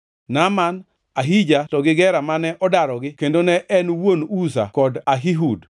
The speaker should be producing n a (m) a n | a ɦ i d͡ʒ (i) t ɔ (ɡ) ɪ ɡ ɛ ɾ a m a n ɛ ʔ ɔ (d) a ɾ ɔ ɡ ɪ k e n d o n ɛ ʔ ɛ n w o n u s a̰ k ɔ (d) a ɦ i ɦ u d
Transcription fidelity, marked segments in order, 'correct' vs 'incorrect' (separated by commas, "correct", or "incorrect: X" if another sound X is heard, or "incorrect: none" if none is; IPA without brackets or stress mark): correct, incorrect: a, correct, correct, correct